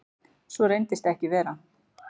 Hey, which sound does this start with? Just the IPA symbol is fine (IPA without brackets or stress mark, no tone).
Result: s